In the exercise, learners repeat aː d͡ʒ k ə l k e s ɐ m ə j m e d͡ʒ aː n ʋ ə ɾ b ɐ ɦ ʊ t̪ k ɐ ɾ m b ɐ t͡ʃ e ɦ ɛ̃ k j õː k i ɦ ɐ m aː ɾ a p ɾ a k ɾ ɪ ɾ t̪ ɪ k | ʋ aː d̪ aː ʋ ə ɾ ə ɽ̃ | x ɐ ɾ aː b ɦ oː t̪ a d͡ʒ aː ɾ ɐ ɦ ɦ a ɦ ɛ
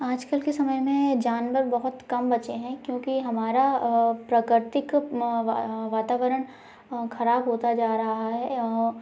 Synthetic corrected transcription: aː d͡ʒ k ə l k e s ɐ m ə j m ẽ d͡ʒ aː n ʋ ə ɾ b ɐ ɦ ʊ t̪ k ɐ m b ɐ t͡ʃ e ɦ ɛ̃ k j õː k i ɦ ɐ m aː ɾ a p ɾ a k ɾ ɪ ɾ t̪ ɪ k | ʋ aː t̪ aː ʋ ə ɾ ə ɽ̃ | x ɐ ɾ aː b ɦ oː t̪ a d͡ʒ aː ɾ ɐ ɦ ɦ a ɦ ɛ